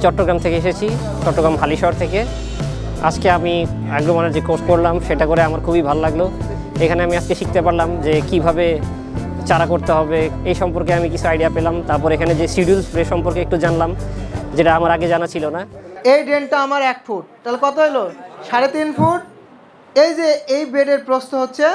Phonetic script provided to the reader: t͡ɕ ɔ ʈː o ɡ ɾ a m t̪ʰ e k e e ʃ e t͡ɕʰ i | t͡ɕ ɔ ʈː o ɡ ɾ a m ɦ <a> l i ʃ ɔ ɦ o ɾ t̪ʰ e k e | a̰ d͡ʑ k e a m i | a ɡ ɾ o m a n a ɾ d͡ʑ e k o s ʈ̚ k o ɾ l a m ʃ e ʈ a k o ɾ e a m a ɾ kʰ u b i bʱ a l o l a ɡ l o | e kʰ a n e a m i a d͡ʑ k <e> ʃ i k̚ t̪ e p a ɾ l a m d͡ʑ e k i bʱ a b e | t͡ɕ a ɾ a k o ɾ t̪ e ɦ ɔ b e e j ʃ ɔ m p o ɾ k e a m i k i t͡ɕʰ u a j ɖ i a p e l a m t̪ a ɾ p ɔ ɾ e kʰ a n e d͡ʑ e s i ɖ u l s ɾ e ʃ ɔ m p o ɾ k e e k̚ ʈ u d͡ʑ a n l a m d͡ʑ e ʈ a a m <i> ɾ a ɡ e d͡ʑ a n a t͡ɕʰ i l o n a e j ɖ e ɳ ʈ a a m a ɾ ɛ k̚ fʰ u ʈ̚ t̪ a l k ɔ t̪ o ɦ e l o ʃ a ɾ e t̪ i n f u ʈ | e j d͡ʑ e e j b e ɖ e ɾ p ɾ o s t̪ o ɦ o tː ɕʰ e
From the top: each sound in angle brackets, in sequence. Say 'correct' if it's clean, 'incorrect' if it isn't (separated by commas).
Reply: correct, correct, incorrect